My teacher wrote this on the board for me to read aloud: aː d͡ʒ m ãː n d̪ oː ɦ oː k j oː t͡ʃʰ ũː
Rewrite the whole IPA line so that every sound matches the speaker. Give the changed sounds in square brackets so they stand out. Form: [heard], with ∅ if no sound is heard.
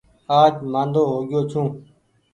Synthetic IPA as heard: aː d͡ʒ m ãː n d̪ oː ɦ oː [ɡ] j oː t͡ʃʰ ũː